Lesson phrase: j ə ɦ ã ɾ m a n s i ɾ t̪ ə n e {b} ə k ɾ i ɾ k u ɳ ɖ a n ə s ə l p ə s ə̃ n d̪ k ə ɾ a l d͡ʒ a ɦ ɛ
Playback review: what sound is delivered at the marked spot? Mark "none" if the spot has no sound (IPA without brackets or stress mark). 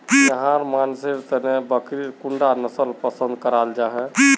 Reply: b